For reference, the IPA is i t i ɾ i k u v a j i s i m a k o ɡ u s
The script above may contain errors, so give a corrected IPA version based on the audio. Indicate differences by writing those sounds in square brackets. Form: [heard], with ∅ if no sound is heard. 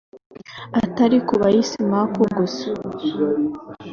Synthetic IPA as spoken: [a] t [a] ɾ i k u [β] a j i s i m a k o ɡ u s